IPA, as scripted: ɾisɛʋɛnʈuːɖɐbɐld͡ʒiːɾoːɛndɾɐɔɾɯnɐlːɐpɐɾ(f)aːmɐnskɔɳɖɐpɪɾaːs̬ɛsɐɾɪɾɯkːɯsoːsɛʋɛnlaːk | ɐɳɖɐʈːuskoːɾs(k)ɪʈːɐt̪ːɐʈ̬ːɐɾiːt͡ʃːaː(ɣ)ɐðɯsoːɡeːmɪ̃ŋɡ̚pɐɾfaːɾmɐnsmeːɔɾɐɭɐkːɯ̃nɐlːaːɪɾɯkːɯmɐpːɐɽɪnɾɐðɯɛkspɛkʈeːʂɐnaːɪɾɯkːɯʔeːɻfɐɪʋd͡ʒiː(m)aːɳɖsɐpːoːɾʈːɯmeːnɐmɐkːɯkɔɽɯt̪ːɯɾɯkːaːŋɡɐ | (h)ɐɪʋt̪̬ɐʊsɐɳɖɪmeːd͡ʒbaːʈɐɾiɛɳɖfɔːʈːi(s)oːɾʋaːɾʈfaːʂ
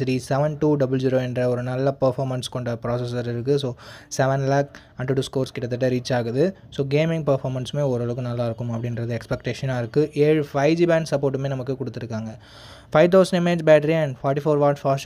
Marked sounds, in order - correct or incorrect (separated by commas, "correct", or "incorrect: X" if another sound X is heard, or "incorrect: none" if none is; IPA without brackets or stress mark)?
correct, correct, correct, incorrect: b, incorrect: f, incorrect: f